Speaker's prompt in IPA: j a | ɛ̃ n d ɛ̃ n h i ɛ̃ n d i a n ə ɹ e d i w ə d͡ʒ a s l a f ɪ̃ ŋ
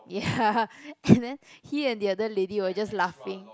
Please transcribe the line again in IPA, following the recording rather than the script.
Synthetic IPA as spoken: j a | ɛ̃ n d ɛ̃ n h i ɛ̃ n d i a d ə l e d i w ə d͡ʒ a s l a f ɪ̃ ŋ